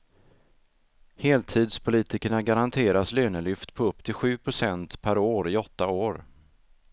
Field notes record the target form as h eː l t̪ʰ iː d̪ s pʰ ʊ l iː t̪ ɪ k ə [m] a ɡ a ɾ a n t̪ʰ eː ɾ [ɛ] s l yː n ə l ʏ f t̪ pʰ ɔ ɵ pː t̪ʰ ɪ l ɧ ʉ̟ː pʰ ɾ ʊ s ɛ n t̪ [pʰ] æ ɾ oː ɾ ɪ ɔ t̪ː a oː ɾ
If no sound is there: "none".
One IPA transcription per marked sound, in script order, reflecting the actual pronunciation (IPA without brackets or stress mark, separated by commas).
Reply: ɳ, a, pʰ